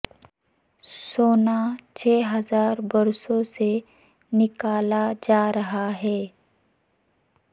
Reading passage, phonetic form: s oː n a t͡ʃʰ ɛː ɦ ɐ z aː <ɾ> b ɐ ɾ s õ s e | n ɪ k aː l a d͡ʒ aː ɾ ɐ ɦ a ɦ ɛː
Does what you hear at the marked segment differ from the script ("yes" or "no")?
no